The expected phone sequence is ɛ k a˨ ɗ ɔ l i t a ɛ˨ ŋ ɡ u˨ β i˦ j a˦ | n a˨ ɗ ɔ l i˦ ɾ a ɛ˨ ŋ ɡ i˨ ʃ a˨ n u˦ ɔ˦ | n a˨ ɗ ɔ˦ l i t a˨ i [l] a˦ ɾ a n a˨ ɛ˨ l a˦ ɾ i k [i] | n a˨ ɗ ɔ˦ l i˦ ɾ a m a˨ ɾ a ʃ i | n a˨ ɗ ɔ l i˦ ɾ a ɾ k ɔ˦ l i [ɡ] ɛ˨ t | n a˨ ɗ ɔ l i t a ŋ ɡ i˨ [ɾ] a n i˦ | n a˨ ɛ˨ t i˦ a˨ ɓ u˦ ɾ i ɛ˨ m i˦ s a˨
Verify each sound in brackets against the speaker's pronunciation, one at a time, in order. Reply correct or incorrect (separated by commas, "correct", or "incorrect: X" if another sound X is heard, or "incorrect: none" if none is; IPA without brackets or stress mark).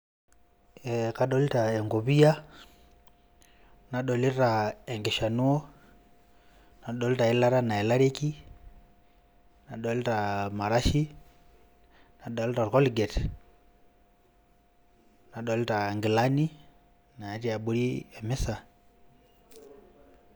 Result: correct, correct, correct, incorrect: l